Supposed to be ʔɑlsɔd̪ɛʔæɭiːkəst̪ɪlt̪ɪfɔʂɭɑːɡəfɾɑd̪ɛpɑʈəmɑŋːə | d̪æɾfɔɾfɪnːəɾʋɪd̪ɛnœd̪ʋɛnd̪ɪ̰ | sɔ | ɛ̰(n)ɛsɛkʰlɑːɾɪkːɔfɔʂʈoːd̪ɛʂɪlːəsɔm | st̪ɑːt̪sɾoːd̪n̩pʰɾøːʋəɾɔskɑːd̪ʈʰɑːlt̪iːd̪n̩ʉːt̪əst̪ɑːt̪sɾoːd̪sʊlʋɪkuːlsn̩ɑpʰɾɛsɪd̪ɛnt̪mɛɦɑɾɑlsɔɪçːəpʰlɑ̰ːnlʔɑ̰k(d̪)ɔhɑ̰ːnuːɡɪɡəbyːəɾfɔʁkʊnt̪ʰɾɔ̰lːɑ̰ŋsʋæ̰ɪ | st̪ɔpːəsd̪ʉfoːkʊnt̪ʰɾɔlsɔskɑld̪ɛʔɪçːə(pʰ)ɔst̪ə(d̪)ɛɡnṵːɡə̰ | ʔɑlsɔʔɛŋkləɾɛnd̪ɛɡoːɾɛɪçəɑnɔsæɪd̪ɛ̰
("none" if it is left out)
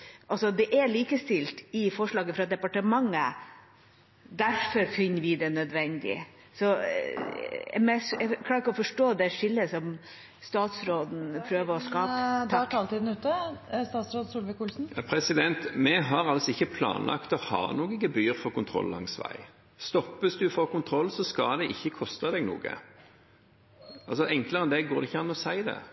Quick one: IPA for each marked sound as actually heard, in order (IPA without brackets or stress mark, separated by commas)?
m, t̪, kʰ, d̪